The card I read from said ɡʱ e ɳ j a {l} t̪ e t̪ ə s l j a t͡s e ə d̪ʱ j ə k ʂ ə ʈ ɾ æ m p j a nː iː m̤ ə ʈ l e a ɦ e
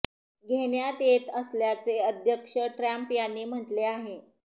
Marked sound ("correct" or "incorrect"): incorrect